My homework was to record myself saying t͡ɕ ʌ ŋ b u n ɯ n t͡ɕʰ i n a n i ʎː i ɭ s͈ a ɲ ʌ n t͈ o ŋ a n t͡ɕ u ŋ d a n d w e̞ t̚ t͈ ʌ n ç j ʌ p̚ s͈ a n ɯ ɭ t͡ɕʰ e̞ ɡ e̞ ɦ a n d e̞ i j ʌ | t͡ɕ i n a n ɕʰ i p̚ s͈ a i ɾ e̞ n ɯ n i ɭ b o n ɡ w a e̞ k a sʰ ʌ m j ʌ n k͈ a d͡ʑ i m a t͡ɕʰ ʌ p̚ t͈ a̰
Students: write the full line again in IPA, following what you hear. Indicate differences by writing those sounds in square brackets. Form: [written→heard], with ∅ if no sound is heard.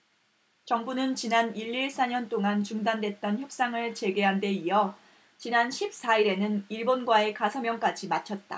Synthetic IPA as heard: t͡ɕ ʌ ŋ b u n ɯ n [t͡ɕʰ→t͡ɕ] i n a n i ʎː i ɭ s͈ a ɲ ʌ n t͈ o ŋ a n t͡ɕ u ŋ d a n d w e̞ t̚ t͈ ʌ n ç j ʌ p̚ s͈ a [n→ŋ] ɯ ɭ [t͡ɕʰ→t͡ɕ] e̞ ɡ e̞ ɦ a n d e̞ i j ʌ | t͡ɕ i n a n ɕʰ i p̚ s͈ a i ɾ e̞ n ɯ n i ɭ b o n ɡ w a e̞ k a sʰ ʌ m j ʌ [n→ŋ] k͈ a d͡ʑ i m a t͡ɕʰ ʌ [p̚→t̚] t͈ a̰